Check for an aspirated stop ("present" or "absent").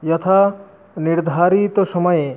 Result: present